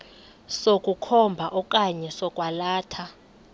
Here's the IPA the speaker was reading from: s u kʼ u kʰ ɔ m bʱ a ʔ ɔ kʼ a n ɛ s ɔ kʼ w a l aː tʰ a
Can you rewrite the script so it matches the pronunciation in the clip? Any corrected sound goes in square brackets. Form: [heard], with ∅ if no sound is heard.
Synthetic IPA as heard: s [o] kʼ u kʰ ɔ m bʱ a ʔ ɔ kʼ a [ɲ] ɛ s ɔ kʼ w a l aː tʰ a